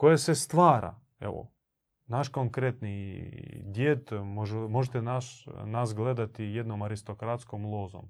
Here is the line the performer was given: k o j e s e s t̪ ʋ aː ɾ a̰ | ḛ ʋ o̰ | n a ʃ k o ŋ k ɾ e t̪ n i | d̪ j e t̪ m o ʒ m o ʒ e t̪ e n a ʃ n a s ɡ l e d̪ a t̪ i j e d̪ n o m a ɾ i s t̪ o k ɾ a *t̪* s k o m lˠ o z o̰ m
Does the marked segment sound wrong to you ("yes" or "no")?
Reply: no